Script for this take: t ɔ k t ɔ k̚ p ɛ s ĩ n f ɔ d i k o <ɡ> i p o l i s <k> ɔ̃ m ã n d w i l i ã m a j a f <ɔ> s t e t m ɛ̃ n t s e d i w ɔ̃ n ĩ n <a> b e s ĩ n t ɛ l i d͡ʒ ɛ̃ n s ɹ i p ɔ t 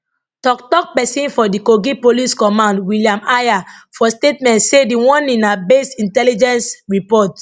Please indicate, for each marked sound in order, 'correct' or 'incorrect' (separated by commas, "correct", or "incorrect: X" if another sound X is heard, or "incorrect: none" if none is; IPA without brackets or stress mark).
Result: correct, correct, correct, correct